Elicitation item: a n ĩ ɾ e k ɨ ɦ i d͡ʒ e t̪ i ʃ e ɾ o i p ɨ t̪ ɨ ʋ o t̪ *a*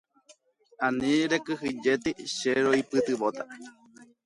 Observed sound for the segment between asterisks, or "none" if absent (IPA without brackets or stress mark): a